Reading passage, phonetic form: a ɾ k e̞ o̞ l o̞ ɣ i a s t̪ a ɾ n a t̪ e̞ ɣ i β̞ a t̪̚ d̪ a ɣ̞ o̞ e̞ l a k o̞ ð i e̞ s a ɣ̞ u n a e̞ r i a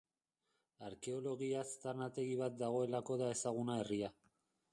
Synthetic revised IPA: a ɾ k e̞ o̞ l o̞ ɣ i a s t̪ a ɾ n a t̪ e̞ ɣ i β̞ a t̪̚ d̪ a ɣ̞ o̞ e̞ l a k o̞ ð a e̞ s a ɣ̞ u n a e̞ r i a